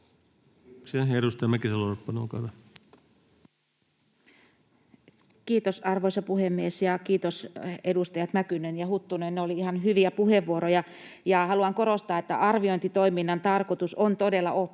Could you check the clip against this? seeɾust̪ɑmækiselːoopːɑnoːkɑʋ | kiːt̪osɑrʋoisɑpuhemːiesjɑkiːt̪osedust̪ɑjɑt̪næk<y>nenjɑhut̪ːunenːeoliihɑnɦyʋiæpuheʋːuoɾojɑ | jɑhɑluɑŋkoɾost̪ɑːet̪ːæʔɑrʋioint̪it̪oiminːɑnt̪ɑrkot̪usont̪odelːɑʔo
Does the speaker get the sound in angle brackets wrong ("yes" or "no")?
no